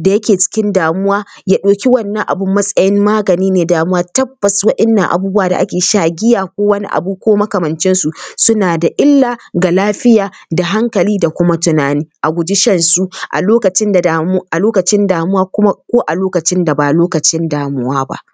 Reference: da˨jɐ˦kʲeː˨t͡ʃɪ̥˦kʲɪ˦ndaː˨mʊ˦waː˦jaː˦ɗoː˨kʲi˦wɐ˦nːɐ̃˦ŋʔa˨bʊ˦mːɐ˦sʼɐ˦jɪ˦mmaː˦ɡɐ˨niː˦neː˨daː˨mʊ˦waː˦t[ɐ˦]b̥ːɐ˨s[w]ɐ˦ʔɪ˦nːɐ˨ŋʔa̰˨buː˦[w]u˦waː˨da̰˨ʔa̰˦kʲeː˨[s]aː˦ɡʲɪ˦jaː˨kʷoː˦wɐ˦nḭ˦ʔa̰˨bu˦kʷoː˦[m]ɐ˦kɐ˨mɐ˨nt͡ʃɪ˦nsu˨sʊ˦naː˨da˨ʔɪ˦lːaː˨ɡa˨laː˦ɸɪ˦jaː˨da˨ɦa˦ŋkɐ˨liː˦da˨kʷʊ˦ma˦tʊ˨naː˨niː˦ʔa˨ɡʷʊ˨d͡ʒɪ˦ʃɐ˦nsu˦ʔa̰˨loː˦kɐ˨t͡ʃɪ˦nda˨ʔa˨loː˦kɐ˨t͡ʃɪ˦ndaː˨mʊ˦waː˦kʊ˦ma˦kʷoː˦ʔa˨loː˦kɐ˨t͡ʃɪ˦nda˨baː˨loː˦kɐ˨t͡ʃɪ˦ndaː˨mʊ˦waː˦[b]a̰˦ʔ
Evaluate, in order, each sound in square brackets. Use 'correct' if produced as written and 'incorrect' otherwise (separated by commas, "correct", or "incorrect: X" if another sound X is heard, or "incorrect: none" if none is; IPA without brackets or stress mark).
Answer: correct, correct, incorrect: b, incorrect: ʃ, correct, correct